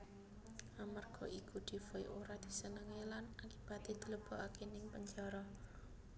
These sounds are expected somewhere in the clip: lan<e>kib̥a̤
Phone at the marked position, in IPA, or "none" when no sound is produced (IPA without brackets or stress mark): a